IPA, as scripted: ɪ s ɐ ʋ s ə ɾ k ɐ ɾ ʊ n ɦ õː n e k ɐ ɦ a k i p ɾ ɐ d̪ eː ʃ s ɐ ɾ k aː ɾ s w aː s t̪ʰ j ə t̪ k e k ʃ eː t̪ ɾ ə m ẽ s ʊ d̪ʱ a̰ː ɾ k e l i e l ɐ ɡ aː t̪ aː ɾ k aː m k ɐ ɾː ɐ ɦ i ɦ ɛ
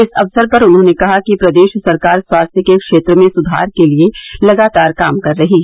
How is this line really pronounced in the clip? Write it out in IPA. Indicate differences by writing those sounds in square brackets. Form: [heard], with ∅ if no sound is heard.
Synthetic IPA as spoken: ɪ s ɐ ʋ s ə ɾ [p] ɐ ɾ ʊ n ɦ õː n e k ɐ ɦ a k i p ɾ ɐ d̪ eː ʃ s ɐ ɾ k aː ɾ s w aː s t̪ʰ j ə [∅] k e k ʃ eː t̪ ɾ ə m ẽ s ʊ d̪ʱ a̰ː ɾ k e l i e l ɐ ɡ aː t̪ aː ɾ k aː m k ɐ ɾː ɐ ɦ i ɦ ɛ